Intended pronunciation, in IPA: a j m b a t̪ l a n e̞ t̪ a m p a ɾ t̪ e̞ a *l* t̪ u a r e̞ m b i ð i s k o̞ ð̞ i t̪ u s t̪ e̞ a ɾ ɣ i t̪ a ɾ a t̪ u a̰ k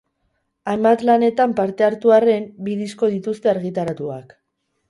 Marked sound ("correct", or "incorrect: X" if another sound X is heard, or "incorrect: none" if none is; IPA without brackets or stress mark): incorrect: ɾ